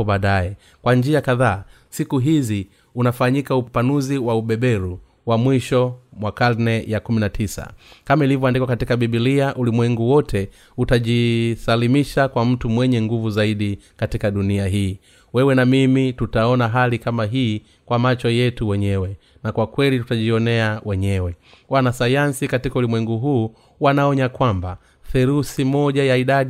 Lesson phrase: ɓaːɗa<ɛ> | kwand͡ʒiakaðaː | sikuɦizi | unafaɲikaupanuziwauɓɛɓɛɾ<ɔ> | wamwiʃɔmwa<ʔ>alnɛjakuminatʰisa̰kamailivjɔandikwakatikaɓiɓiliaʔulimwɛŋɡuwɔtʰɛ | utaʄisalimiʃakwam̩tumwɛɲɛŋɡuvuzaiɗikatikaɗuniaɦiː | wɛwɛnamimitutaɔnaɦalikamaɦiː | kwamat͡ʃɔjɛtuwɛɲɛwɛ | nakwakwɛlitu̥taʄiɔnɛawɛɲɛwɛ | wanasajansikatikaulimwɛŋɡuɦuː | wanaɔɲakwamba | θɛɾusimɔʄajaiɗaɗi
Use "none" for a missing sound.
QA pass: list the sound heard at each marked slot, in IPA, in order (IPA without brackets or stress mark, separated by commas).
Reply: ɛ, u, k